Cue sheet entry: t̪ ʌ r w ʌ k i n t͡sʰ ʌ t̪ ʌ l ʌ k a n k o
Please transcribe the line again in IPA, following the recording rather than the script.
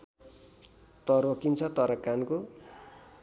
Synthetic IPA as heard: t̪ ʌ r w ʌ k i n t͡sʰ ʌ t̪ ʌ ɾ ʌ k a n k o